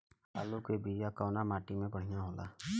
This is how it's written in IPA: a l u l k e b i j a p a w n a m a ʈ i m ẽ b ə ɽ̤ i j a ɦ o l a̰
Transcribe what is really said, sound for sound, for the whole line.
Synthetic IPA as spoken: a l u k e b i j a k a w n a m a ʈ i m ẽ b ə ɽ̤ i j a ɦ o l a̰